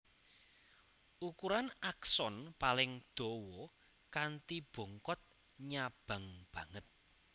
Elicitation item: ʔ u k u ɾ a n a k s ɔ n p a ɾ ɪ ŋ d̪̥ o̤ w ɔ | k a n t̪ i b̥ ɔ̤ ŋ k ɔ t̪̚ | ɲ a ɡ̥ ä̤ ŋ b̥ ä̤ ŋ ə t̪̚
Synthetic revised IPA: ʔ u k u ɾ a n a k s ɔ n p a l ɪ ŋ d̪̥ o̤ w ɔ | k a n t̪ i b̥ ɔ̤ ŋ k ɔ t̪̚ | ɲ a b̥ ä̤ ŋ b̥ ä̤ ŋ ə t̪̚